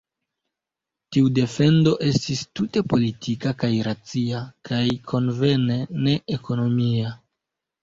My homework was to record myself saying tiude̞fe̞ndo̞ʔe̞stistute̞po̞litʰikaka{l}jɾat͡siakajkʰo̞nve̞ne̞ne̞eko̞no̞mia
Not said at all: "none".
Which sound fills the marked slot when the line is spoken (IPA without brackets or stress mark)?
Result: none